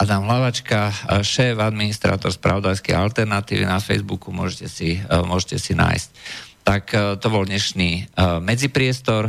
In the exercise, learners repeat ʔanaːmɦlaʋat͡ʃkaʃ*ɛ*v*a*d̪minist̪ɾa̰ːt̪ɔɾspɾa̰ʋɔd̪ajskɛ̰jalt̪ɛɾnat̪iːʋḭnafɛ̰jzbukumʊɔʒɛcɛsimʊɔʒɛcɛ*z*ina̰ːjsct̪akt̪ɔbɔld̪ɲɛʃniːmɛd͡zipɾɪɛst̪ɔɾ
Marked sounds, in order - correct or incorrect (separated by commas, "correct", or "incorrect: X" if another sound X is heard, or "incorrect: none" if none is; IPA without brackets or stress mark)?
incorrect: ɛː, correct, incorrect: s